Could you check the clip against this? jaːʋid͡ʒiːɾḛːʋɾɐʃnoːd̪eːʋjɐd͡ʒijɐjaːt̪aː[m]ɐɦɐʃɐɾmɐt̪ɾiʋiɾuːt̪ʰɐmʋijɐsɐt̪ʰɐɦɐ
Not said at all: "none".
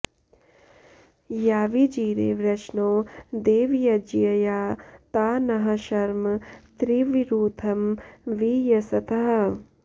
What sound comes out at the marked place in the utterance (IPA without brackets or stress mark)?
n